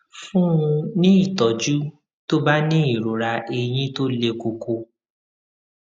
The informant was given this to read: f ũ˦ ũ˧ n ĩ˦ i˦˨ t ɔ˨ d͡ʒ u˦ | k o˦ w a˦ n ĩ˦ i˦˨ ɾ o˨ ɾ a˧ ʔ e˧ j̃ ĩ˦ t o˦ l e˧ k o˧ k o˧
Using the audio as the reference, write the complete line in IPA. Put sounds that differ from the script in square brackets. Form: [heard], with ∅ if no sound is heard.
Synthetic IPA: f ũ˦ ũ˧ n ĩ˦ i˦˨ t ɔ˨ d͡ʒ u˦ | [t] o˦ [b] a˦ n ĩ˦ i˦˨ ɾ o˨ ɾ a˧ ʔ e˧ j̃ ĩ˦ t o˦ l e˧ k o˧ k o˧